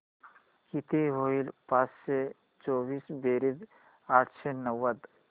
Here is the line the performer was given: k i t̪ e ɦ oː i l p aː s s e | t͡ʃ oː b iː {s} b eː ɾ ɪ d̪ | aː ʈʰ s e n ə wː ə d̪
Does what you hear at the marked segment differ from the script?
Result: no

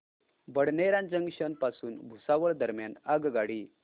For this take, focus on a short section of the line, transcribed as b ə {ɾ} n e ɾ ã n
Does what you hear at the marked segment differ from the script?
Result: yes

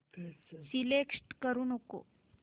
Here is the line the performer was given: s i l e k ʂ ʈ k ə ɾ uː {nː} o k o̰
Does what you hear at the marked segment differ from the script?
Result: yes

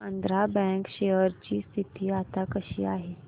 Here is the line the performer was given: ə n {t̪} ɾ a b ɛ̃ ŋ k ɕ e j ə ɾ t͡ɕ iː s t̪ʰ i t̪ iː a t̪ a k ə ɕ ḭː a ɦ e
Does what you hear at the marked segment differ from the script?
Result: yes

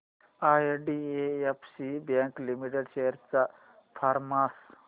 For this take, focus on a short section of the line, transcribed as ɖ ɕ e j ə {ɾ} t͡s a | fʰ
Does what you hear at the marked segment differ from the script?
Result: no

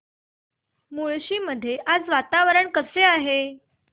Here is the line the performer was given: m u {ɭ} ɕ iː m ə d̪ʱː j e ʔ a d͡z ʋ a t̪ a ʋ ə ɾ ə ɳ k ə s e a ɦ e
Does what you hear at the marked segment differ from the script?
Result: no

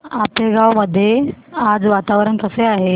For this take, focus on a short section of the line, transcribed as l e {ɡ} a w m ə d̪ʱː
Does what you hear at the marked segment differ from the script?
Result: no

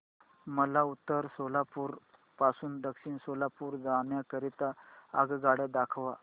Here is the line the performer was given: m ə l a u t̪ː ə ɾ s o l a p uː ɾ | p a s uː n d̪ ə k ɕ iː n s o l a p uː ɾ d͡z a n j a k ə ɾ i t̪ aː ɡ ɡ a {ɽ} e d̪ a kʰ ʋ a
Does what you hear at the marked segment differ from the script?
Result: no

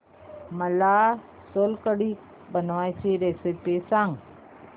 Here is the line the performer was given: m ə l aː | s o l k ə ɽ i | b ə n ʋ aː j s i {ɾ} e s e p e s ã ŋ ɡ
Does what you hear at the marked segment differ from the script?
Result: no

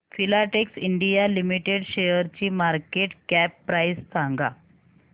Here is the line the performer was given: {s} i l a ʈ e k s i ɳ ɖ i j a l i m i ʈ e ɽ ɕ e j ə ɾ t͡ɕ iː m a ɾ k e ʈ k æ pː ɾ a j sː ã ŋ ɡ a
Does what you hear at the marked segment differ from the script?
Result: yes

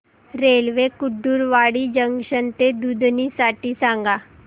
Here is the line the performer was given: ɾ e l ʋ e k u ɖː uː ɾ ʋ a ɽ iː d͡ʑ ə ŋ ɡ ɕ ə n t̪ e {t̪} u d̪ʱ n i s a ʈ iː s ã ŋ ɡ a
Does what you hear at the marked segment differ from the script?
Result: yes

